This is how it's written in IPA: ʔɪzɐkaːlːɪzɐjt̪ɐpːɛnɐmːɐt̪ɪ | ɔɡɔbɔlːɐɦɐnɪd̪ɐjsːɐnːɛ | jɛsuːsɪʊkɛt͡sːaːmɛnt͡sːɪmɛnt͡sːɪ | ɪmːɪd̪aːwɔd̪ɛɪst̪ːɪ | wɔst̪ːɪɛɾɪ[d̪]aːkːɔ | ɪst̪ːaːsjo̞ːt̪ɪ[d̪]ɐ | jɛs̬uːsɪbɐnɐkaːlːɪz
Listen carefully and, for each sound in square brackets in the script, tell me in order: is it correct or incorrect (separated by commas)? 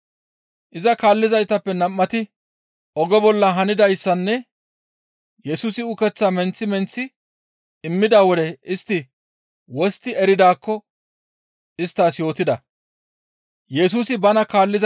correct, correct